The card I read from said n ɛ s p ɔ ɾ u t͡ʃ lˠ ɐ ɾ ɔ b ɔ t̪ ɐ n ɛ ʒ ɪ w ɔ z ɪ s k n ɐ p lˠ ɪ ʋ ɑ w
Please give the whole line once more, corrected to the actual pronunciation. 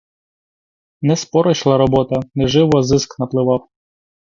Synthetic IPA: n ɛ s p ɔ ɾ ɔ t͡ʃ lˠ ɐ ɾ ɔ b ɔ t̪ ɐ n ɛ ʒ ɪ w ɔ z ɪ s k n ɐ p lˠ ɪ ʋ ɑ w